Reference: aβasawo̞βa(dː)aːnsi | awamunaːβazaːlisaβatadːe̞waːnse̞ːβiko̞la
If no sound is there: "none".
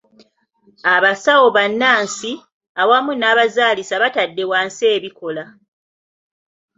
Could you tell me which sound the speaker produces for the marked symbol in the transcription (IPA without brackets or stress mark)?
nː